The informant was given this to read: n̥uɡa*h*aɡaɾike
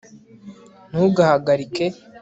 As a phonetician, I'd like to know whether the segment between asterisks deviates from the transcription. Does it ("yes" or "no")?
no